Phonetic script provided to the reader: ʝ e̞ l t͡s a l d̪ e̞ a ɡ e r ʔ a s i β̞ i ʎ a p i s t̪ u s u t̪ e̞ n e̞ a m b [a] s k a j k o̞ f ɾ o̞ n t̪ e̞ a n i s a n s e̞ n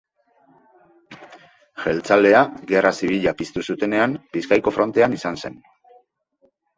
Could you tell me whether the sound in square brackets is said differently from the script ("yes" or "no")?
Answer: yes